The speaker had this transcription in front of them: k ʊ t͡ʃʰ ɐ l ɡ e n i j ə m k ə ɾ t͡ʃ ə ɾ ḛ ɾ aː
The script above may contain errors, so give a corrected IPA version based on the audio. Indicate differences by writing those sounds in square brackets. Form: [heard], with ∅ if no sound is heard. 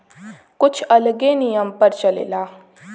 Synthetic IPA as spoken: k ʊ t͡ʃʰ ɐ l ɡ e n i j ə m [p] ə ɾ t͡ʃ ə [l] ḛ [l] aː